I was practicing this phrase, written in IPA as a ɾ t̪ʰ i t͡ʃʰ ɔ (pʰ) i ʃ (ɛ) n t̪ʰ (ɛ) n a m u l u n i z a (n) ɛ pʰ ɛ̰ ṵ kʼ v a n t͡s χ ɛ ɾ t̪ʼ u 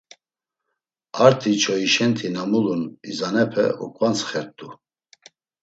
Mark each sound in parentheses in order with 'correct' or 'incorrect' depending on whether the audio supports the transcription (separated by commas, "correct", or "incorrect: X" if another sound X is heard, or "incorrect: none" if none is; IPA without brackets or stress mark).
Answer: incorrect: none, correct, incorrect: i, correct